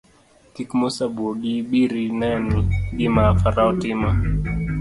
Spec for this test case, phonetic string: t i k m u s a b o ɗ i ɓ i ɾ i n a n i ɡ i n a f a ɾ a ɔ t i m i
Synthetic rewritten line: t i k m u s a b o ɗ i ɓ i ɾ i n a n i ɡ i m a f a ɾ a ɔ t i m a